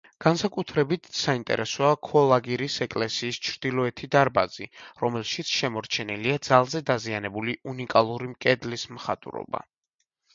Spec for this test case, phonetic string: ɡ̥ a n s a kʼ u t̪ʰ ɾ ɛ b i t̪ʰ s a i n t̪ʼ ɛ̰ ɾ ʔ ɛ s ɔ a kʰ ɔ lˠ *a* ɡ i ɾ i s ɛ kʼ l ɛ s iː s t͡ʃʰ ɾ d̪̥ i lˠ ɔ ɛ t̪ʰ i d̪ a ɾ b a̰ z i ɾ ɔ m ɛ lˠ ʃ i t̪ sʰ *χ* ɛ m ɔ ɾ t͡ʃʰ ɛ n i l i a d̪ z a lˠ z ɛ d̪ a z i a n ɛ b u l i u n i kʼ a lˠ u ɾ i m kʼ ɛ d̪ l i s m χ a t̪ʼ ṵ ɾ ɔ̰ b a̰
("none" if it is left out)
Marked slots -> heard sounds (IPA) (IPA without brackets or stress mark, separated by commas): a, ʃ